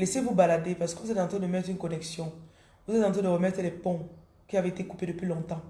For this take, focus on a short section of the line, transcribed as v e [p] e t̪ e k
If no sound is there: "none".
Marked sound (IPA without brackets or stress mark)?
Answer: none